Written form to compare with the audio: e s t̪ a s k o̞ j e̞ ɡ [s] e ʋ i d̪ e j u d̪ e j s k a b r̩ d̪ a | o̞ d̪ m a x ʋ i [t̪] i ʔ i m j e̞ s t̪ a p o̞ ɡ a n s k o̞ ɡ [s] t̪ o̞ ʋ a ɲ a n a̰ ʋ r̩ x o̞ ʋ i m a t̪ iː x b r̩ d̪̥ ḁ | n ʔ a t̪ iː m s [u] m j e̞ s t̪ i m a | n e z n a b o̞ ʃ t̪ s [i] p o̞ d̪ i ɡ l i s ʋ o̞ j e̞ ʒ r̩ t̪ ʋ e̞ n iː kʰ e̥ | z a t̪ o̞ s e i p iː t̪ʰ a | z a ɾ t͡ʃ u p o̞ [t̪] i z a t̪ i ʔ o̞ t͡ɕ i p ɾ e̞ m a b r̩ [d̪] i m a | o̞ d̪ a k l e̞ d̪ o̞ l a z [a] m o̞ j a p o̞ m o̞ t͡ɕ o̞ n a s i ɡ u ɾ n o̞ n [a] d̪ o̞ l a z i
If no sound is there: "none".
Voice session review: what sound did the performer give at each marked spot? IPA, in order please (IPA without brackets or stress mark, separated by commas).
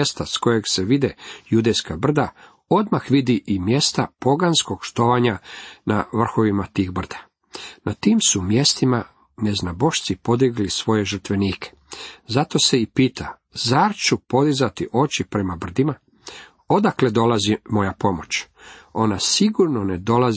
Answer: s, d̪, ʃ, u, i, d̪, d̪, i, e